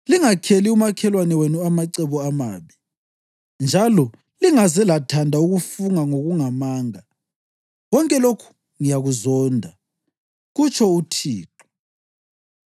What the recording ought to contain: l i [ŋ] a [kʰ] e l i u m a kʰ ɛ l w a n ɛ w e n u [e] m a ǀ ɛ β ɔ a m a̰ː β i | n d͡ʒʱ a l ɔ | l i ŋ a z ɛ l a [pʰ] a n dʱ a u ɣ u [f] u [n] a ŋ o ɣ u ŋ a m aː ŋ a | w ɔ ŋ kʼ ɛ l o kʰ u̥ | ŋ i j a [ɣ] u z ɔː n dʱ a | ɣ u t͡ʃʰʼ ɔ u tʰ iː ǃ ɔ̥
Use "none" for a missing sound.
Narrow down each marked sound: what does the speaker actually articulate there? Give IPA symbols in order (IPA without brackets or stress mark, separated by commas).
ŋ, kʰ, a, tʰ, f, ŋ, ɣ